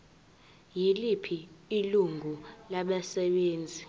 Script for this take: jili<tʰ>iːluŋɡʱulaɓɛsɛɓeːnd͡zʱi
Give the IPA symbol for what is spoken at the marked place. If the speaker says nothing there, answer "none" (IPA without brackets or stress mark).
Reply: pʰ